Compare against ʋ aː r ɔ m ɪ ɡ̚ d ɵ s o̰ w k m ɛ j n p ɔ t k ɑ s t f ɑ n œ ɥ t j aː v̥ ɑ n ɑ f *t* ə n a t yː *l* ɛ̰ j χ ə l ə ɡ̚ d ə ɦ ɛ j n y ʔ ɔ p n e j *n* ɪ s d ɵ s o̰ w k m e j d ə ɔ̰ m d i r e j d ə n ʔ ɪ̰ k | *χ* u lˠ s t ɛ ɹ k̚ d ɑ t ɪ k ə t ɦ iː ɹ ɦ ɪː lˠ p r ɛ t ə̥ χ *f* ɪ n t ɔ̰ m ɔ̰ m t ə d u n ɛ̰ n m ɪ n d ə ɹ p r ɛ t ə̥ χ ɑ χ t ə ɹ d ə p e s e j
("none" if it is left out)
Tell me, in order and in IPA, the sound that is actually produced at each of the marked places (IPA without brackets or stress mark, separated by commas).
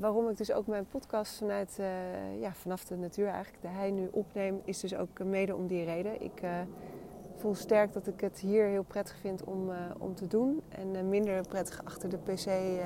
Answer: d, ɹ, m, f, f